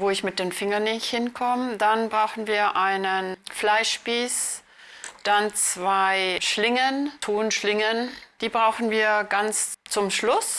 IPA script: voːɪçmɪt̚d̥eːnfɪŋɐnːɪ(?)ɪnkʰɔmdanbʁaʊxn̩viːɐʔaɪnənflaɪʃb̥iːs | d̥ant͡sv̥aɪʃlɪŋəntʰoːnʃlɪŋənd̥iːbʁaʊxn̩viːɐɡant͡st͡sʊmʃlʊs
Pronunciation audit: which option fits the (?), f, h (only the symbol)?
h